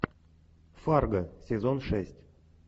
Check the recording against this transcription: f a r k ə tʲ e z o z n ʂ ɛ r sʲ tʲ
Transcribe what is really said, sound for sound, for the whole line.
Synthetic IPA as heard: f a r ɡ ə sʲ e z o n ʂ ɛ sʲ tʲ